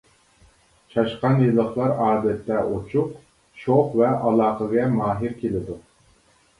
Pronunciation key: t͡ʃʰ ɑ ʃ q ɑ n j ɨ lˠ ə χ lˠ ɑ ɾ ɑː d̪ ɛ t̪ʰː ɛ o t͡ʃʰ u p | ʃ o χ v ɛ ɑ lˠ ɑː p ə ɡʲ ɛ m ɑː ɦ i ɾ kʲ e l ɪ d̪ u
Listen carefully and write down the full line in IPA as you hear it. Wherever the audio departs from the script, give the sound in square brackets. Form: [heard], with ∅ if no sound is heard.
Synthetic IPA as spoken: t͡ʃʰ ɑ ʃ q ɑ n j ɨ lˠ ə χ lˠ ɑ ɾ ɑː d̪ ɛ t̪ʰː ɛ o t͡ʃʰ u [q] | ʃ o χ v ɛ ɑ lˠ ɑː [q] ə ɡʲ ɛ m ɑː ɦ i ɾ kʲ e l ɪ d̪ u